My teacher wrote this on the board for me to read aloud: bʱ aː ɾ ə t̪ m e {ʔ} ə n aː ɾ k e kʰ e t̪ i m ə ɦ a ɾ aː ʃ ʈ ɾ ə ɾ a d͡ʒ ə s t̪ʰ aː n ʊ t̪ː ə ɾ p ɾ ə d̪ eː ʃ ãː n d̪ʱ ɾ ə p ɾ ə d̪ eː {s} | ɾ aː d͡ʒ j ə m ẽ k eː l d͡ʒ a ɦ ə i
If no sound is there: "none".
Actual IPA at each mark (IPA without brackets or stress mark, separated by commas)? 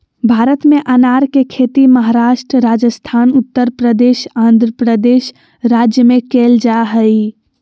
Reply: ʔ, ʃ